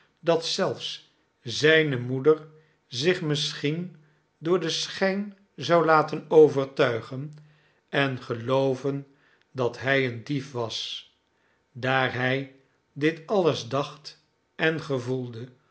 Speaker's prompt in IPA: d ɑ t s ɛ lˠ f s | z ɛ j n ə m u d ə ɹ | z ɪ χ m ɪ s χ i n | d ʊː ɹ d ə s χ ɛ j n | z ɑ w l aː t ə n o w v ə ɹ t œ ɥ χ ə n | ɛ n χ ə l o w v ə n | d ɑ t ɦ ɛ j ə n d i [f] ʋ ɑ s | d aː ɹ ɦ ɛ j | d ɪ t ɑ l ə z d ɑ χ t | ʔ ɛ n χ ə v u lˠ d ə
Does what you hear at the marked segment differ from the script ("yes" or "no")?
no